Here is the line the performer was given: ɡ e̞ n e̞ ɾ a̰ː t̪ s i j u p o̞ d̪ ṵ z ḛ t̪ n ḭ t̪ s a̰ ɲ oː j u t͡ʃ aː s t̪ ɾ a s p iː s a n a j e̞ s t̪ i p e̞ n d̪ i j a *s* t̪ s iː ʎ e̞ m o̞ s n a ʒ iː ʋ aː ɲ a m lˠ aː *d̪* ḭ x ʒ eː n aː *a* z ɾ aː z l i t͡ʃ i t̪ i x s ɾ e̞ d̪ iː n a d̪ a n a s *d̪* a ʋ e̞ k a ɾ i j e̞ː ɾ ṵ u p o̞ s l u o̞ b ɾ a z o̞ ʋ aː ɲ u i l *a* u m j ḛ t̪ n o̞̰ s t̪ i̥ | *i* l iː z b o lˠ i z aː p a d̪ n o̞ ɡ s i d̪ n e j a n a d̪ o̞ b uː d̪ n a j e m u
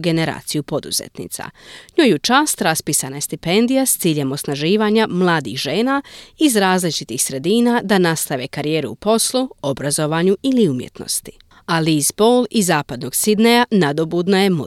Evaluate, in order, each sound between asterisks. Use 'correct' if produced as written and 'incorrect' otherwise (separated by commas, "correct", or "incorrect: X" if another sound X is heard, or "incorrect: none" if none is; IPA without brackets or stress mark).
correct, correct, incorrect: i, incorrect: t̪, incorrect: i, incorrect: a